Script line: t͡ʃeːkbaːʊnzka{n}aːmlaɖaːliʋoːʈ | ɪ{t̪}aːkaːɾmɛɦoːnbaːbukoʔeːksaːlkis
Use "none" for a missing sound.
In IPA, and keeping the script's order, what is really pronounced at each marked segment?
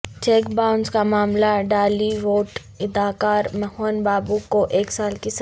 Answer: m, d̪

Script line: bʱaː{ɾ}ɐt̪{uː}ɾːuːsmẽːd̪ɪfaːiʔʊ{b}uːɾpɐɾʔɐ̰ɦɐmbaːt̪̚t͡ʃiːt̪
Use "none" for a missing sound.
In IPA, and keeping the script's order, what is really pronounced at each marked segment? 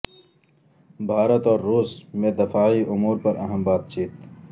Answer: ɾ, ɔː, m

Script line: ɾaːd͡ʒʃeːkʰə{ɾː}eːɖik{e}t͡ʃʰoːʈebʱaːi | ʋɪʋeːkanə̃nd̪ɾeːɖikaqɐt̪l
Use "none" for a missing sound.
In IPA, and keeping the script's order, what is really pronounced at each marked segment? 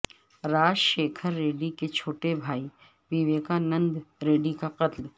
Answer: ɾː, e

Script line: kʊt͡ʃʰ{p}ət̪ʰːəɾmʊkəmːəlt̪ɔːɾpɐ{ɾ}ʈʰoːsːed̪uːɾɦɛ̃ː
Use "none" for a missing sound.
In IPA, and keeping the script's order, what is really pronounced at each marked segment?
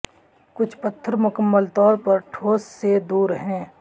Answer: p, ɾ

